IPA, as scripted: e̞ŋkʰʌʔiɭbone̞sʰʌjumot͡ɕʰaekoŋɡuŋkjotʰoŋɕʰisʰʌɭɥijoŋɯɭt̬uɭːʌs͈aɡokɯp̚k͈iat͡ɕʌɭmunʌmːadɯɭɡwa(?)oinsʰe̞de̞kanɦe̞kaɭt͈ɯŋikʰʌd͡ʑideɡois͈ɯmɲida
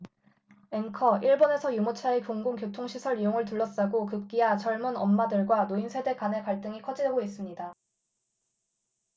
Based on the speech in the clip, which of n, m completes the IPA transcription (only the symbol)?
n